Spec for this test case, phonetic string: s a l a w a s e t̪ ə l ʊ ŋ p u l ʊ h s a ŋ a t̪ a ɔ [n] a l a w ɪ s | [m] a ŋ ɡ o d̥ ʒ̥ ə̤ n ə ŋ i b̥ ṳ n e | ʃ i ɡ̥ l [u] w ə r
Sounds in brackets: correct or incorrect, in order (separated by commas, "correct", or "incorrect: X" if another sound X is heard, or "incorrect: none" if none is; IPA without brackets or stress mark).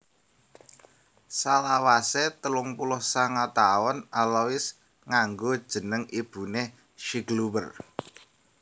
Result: correct, incorrect: ŋ, correct